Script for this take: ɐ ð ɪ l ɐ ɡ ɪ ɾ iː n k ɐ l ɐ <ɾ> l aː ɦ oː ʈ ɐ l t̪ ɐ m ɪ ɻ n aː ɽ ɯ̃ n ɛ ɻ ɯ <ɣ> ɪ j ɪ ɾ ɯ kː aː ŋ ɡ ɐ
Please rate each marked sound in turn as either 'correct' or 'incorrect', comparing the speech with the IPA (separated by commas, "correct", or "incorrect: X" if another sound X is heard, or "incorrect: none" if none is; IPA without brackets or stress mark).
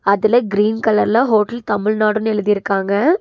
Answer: correct, incorrect: ð